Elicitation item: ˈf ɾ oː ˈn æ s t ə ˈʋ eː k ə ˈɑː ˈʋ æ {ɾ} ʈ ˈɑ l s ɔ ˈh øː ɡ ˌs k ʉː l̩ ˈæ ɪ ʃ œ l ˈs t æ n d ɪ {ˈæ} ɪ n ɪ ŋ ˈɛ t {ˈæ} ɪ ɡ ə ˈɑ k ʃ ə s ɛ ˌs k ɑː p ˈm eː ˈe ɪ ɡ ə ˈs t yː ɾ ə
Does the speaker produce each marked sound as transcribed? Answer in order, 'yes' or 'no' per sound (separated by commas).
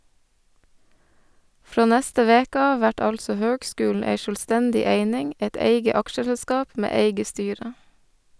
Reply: no, no, no